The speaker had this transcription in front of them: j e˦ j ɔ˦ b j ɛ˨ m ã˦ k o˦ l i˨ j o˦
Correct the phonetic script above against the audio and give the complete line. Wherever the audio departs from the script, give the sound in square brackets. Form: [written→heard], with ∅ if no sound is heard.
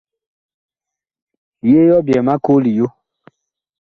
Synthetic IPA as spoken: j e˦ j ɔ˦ b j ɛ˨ m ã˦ k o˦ l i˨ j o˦